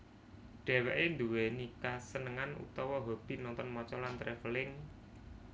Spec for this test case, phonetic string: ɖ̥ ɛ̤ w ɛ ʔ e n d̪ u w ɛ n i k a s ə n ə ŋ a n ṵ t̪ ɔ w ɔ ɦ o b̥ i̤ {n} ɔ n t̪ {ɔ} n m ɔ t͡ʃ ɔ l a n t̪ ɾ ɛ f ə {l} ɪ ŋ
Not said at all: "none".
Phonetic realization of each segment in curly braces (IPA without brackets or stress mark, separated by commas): n, ɔ, l